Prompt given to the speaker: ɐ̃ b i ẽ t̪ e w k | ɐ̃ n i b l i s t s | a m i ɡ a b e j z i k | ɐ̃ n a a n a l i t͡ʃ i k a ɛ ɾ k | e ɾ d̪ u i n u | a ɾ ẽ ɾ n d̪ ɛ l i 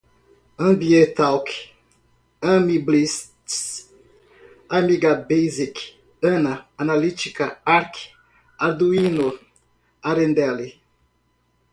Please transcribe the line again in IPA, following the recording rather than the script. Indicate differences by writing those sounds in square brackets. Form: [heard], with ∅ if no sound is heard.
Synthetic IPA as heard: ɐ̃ b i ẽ t̪ [a] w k | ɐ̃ [m] i b l i s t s | a m i ɡ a b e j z i k | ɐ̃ n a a n a l i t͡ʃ i k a [a] ɾ k | [a] ɾ d̪ u i n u | a ɾ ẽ [∅] n d̪ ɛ l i